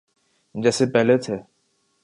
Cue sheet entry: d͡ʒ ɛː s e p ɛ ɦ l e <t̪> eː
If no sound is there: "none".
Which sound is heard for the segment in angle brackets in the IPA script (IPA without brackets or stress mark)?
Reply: t̪ʰ